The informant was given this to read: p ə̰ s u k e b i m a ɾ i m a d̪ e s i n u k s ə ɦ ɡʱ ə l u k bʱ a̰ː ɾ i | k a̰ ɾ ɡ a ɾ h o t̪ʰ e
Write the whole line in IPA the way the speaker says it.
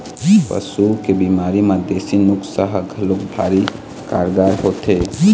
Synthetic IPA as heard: p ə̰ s u k e b i m a ɾ i m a d̪ e s i n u k s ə ɦ ɡʱ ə l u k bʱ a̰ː ɾ i | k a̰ ɾ ɡ a ɾ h o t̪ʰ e